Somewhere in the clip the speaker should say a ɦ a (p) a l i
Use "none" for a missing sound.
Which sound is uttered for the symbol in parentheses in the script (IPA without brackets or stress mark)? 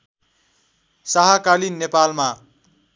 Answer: k